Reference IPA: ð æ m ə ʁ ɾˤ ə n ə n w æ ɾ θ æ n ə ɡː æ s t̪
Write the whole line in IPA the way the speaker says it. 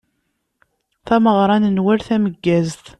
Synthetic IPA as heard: θ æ m ə ʁ ɾˤ ɑ n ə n w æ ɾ θ æ m ə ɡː æ z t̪